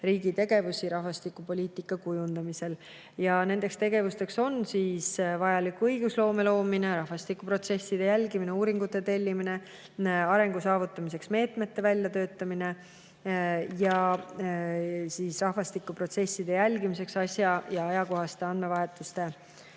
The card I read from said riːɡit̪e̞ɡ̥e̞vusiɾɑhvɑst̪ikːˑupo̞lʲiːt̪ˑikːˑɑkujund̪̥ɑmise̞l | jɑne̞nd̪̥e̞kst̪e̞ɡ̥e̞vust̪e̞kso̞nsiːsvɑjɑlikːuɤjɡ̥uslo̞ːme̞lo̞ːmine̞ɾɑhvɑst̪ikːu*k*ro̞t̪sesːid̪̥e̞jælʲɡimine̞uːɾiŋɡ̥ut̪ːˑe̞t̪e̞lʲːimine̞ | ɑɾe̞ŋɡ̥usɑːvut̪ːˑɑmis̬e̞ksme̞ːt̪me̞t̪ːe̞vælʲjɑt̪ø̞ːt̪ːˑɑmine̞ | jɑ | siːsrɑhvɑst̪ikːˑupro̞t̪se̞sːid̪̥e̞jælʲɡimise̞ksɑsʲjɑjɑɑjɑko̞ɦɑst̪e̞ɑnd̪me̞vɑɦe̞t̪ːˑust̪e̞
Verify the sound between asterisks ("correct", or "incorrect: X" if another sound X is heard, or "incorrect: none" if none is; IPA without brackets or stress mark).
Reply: incorrect: p